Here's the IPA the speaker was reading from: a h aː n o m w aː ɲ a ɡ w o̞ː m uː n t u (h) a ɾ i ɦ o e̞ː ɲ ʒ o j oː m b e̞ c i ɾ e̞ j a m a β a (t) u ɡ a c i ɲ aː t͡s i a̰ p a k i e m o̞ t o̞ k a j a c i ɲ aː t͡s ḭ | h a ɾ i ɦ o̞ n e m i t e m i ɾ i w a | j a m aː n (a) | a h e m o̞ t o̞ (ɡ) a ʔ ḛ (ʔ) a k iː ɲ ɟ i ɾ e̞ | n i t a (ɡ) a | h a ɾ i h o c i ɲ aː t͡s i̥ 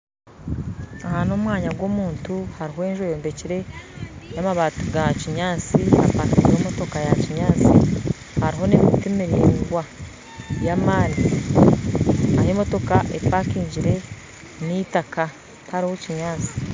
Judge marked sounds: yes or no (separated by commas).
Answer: yes, yes, no, no, no, no